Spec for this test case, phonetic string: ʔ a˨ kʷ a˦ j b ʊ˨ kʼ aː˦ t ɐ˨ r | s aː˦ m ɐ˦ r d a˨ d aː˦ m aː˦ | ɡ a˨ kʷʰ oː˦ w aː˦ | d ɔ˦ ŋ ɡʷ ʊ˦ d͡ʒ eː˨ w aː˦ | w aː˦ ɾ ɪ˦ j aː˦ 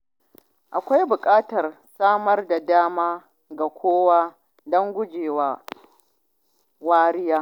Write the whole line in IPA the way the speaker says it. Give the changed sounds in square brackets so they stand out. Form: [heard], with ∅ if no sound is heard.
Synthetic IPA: ʔ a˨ kʷ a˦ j b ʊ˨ kʼ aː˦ t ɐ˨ r | s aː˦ m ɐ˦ r d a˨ d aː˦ m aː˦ | ɡ a˨ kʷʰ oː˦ w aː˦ | d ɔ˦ ŋ ɡʷ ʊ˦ d͡ʒ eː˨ w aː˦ | w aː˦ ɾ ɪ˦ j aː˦

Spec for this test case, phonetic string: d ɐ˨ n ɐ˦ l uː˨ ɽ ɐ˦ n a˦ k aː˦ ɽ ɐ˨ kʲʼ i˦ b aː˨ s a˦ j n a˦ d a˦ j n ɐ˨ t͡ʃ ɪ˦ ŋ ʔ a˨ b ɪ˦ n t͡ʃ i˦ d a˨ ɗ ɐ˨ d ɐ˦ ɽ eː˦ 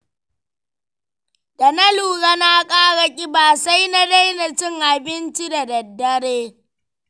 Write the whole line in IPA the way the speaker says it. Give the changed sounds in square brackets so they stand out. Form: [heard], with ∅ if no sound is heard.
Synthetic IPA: d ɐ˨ n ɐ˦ l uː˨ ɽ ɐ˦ n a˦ [kʼ] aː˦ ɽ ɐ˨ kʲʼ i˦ b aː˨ s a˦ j n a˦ d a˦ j n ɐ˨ t͡ʃ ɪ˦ ŋ ʔ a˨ b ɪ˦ n t͡ʃ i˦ d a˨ [d] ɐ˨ [dː] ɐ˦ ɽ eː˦

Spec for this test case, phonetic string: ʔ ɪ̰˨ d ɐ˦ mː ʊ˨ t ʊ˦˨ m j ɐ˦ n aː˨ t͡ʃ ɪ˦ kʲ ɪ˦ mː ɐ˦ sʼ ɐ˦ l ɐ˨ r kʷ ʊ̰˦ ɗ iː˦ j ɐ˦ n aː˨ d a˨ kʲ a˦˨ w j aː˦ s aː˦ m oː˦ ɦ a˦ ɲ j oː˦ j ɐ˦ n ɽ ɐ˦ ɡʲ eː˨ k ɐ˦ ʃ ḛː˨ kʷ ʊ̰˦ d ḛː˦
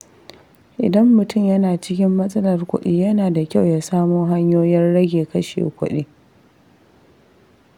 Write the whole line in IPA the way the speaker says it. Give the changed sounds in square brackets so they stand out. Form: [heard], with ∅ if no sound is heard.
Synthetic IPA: ʔ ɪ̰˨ d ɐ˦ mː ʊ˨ t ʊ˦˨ m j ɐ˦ n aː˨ t͡ʃ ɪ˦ kʲ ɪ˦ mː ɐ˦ sʼ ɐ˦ l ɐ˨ r kʷ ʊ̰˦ ɗ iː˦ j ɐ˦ n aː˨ d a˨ kʲ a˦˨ w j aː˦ s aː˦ m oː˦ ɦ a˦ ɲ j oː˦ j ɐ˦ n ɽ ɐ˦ ɡʲ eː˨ k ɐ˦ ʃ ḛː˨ kʷ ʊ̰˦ [ɗ] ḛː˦

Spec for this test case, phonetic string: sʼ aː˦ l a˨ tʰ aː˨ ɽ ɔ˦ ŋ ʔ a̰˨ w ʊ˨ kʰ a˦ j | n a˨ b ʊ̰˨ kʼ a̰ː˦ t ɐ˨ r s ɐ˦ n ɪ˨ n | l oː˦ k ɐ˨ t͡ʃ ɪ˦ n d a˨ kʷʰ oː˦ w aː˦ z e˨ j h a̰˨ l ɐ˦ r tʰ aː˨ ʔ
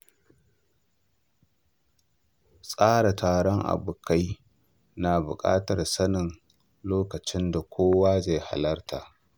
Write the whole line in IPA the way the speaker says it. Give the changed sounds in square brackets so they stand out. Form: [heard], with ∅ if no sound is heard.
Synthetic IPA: sʼ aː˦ [ɽ] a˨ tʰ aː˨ ɽ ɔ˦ ŋ ʔ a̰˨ [b] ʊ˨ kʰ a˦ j | n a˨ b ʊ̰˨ kʼ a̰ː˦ t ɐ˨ r s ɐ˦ n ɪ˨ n | l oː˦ k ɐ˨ t͡ʃ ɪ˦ n d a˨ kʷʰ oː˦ w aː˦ z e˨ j h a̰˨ l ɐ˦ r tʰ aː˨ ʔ

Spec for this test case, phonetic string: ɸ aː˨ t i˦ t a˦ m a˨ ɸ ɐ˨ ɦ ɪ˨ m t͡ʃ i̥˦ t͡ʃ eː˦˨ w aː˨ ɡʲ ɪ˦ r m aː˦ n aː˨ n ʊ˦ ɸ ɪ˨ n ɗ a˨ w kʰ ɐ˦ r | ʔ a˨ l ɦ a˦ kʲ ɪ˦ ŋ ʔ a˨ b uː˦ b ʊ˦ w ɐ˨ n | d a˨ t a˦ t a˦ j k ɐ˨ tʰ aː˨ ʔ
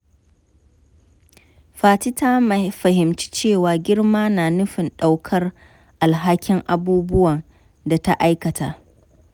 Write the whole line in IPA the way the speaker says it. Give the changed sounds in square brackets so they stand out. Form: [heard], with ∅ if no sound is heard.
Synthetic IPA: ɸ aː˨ t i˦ t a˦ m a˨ ɸ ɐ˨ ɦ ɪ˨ m t͡ʃ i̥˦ t͡ʃ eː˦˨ w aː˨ ɡʲ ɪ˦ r m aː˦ n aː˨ n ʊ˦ ɸ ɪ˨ n ɗ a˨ w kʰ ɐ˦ r | ʔ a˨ l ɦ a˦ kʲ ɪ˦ ŋ ʔ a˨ b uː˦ b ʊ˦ w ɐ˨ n | d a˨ t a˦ [ʔ] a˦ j k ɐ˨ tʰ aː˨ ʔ

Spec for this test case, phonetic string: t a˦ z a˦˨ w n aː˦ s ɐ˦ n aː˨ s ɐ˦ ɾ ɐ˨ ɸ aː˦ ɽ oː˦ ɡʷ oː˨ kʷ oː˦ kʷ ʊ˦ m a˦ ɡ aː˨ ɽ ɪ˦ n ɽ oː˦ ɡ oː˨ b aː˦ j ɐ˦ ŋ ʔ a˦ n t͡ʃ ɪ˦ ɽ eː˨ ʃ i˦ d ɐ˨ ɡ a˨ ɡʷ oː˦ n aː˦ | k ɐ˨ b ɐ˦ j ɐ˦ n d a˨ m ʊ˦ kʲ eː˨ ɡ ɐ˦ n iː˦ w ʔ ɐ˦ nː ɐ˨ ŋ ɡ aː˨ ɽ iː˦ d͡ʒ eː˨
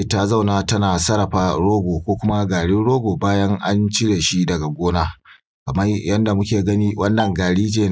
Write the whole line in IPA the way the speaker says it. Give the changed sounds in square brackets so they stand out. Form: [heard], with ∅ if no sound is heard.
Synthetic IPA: t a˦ z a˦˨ w n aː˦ [t] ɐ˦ n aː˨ s ɐ˦ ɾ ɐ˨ ɸ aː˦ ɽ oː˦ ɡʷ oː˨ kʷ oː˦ kʷ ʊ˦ m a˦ ɡ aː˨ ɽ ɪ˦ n ɽ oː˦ ɡ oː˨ b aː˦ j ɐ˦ ŋ ʔ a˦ n t͡ʃ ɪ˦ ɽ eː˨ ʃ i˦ d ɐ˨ ɡ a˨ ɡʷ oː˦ n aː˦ | k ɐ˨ [m] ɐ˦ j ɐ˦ n d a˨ m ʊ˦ kʲ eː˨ ɡ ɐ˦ n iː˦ w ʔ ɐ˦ nː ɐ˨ ŋ ɡ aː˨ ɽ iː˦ d͡ʒ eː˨

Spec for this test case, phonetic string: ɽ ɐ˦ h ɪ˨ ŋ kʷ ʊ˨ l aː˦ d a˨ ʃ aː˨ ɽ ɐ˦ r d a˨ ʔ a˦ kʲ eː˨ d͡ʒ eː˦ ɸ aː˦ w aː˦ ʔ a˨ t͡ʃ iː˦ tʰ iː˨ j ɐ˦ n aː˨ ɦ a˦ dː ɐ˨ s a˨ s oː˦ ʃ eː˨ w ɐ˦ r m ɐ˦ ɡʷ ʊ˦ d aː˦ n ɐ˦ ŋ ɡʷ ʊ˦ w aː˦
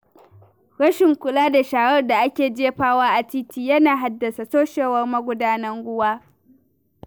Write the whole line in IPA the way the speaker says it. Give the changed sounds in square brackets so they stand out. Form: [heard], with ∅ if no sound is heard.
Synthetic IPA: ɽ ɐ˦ [ʃ] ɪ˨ ŋ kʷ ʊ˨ l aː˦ d a˨ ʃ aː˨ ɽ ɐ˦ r d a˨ ʔ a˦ kʲ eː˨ d͡ʒ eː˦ ɸ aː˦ w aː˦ ʔ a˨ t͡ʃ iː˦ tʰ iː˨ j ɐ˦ n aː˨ ɦ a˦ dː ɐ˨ s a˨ s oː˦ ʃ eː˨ w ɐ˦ r m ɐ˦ ɡʷ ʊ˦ d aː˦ n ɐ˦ ŋ ɡʷ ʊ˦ w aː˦

